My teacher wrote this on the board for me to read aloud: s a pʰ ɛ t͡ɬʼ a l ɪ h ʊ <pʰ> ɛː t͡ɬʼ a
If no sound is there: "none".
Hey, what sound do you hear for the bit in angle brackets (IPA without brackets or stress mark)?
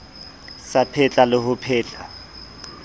pʰ